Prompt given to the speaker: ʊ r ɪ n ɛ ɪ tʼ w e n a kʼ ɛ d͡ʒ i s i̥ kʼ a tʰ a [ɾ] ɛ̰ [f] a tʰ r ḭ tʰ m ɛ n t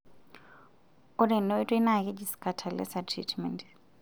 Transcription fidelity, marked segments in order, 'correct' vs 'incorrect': incorrect, incorrect

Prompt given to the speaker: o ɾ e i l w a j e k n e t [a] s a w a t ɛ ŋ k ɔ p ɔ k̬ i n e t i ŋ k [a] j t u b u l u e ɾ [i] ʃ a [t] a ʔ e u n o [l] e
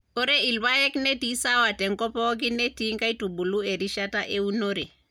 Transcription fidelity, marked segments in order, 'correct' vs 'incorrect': incorrect, correct, correct, correct, incorrect

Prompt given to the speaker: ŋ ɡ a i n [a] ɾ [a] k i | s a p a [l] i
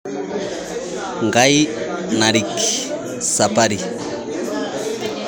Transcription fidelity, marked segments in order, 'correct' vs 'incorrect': correct, incorrect, incorrect

